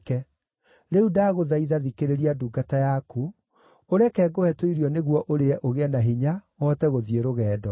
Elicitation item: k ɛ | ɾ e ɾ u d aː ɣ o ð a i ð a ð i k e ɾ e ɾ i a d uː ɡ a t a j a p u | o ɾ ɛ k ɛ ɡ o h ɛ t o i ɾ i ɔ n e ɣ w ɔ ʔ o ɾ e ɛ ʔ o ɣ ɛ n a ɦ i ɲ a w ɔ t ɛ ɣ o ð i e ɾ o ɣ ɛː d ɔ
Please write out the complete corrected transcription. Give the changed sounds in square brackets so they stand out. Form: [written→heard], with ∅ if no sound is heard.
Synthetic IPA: k ɛ | ɾ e [ɾ→∅] u d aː ɣ o ð a i ð a ð i k e ɾ e ɾ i a d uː ɡ a t a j a [p→k] u | o ɾ ɛ k ɛ ɡ o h ɛ t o i ɾ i ɔ n e ɣ w ɔ ʔ o ɾ e ɛ ʔ o ɣ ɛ n a ɦ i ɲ a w ɔ t ɛ ɣ o ð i e ɾ o ɣ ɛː d ɔ